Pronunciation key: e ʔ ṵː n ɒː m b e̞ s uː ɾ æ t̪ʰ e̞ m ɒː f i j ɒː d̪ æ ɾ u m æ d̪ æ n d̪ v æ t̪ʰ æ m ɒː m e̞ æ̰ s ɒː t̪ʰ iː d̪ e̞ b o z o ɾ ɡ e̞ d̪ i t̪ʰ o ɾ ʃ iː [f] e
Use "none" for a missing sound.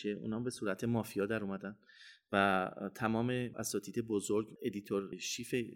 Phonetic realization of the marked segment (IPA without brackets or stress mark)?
f